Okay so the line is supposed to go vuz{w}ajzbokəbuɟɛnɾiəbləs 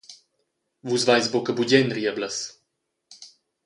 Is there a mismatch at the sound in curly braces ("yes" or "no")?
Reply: yes